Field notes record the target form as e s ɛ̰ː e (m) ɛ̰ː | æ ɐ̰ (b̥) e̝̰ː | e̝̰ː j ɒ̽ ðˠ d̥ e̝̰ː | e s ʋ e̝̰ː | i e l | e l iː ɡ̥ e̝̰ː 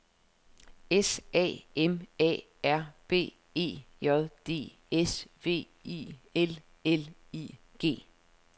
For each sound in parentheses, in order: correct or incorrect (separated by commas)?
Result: correct, correct